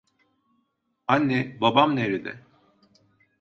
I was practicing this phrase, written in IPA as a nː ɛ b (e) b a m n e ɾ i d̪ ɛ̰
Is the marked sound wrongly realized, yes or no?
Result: yes